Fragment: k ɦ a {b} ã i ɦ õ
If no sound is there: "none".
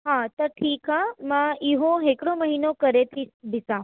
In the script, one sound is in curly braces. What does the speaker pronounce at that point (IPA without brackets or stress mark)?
m